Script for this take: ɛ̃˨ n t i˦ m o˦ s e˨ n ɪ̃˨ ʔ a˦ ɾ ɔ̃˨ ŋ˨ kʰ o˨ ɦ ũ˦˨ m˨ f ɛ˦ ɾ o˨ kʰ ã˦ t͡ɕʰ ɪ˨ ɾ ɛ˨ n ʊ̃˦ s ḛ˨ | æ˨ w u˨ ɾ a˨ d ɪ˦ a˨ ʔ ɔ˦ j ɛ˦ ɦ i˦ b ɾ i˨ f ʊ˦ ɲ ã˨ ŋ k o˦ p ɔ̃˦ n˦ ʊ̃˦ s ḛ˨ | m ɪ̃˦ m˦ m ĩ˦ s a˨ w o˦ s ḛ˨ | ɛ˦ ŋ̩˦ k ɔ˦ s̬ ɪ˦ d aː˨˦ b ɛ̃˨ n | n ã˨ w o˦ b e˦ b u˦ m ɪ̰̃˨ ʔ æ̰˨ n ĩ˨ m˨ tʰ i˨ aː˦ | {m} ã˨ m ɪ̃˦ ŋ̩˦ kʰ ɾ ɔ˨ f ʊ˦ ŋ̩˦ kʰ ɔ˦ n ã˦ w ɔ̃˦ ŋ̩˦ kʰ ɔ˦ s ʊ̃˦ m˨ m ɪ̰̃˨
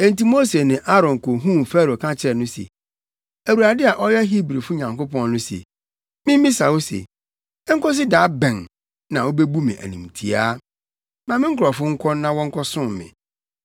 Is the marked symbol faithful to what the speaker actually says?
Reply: yes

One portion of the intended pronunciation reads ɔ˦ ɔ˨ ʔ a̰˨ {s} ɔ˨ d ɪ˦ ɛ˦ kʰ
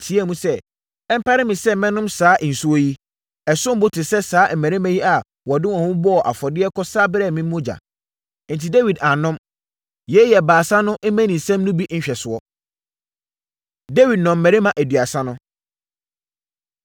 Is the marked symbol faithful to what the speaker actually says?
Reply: no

